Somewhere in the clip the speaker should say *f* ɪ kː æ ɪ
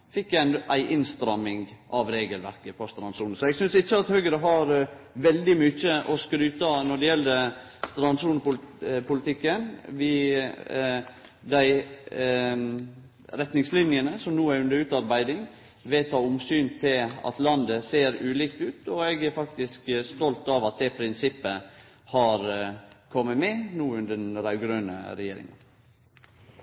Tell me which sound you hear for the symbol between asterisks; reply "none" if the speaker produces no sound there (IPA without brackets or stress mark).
f